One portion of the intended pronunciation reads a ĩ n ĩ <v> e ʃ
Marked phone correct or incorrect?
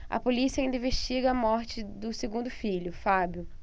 correct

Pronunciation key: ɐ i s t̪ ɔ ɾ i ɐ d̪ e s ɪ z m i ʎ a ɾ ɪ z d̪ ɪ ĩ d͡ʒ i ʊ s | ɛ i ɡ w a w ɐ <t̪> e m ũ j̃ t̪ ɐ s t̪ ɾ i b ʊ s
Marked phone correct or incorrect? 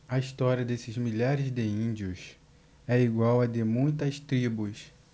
incorrect: d̪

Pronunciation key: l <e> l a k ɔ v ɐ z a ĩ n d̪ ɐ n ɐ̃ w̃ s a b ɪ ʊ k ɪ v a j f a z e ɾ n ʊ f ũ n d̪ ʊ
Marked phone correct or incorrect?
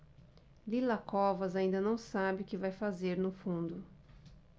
incorrect: i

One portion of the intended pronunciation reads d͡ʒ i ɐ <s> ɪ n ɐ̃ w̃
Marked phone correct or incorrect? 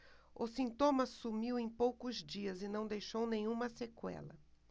incorrect: z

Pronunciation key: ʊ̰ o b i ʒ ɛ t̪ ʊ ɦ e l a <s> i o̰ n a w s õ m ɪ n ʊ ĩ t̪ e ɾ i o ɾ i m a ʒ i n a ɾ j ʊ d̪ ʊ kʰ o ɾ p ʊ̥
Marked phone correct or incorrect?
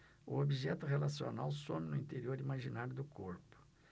correct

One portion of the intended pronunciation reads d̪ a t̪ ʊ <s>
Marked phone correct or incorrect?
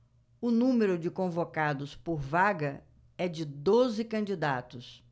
correct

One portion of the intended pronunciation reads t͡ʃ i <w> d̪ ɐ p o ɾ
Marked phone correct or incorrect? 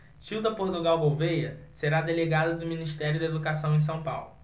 correct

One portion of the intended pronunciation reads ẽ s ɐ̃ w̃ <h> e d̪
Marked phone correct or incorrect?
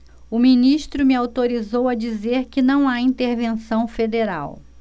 incorrect: f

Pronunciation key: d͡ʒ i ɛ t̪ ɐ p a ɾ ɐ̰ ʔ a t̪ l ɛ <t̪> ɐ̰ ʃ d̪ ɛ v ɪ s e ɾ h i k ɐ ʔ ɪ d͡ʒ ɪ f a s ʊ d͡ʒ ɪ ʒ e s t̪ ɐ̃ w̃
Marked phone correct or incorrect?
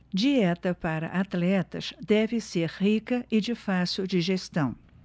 correct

